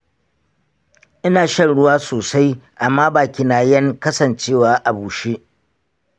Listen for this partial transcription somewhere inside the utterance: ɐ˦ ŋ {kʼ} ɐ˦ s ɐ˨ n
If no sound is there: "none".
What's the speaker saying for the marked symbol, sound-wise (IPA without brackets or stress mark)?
k